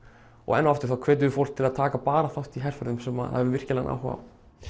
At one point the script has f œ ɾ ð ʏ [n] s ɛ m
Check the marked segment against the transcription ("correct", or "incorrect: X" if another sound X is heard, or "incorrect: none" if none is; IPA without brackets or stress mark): incorrect: m